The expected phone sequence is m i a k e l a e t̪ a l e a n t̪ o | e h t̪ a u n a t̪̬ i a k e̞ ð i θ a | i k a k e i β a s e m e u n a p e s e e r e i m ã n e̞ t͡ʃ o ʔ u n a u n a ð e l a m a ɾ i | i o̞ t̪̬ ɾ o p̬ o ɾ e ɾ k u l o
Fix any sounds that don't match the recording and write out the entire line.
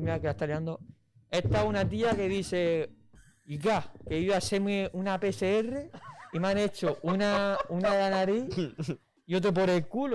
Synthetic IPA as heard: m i a k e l a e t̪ a l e a n d̪ o | e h t̪ a u n a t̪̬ i a k e̞ ð i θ e | i k a k e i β a s e m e u n a p e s e e r e i m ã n e̞ t͡ʃ o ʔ u n a u n a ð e l a n a ɾ i | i o̞ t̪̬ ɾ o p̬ o ɾ e l k u l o